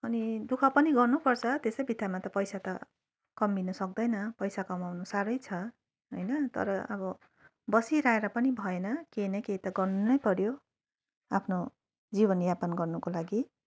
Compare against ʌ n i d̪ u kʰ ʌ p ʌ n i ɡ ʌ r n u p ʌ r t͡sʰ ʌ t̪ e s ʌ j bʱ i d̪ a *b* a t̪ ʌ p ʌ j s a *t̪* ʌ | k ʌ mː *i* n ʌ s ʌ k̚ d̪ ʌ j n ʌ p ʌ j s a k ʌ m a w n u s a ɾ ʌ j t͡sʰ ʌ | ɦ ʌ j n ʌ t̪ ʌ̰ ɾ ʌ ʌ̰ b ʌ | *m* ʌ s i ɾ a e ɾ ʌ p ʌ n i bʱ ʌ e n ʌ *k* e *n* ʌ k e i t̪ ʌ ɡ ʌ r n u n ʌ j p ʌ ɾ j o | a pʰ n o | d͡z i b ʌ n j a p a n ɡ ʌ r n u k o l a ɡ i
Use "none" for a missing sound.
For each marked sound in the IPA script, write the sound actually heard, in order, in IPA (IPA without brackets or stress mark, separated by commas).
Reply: m, t̪, i, b, k, n